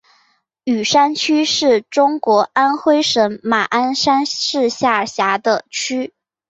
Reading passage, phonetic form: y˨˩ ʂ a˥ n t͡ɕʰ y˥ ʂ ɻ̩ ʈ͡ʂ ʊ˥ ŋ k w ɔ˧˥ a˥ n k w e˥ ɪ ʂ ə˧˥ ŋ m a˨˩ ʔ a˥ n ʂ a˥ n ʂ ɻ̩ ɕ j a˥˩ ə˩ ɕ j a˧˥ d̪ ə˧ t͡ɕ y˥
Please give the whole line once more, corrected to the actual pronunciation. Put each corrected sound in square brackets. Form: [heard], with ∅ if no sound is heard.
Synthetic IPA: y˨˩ ʂ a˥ n t͡ɕʰ y˥ ʂ ɻ̩ ʈ͡ʂ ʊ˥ ŋ k w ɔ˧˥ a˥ n [x] w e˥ ɪ ʂ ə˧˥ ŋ m a˨˩ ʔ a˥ n ʂ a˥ n ʂ ɻ̩ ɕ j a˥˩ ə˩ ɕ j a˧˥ d̪ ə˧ [t͡ɕʰ] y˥